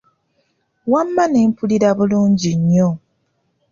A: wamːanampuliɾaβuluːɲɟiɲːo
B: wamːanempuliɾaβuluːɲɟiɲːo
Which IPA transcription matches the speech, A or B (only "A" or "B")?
B